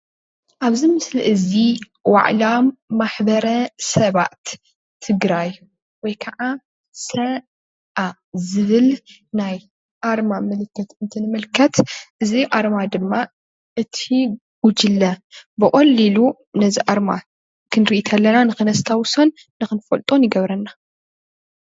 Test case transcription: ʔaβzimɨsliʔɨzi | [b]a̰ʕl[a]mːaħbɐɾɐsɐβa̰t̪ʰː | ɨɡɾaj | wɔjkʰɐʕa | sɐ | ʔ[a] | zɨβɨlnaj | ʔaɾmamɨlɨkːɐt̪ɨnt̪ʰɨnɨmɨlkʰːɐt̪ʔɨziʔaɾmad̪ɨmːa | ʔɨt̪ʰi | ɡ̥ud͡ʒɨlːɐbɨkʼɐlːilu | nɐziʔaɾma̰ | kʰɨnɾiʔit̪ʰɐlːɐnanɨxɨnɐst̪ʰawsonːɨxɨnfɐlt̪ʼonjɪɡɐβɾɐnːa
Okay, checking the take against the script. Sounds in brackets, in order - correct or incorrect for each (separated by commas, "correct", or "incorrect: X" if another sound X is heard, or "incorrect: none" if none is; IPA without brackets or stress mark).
incorrect: w, correct, correct